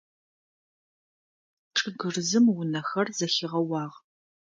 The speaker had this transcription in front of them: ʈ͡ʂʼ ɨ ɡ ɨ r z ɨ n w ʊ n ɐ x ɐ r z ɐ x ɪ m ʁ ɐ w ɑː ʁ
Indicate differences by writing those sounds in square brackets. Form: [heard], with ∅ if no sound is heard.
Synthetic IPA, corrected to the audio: ʈ͡ʂʼ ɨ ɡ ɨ r z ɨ [m] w ʊ n ɐ x ɐ r z ɐ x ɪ [∅] ʁ ɐ w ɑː ʁ